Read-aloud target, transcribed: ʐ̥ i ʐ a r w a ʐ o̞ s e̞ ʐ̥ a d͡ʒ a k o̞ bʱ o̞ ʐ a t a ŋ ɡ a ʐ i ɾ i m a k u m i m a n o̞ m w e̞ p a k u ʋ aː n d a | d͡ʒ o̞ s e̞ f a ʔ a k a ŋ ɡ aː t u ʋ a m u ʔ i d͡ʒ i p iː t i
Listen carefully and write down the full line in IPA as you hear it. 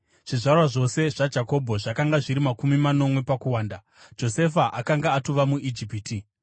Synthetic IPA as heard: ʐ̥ i ʐ a r w a ʐ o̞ s e̞ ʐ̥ a d͡ʒ a k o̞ bʱ o̞ ʐ a k a ŋ ɡ a ʐ i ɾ i m a k u m i m a n o̞ m w e̞ p a k u w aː n d a | d͡ʒ o̞ s e̞ f a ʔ a k a ŋ ɡ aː t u ʋ a m u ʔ i d͡ʒ i p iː t i